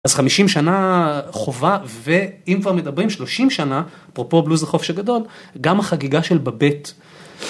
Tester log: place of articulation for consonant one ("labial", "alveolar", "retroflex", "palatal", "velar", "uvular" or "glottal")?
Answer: alveolar